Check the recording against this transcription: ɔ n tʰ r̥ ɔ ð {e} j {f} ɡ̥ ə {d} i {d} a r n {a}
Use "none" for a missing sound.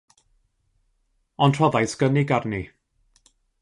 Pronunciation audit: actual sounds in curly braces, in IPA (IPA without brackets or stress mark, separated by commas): a, s, n, ɡ, i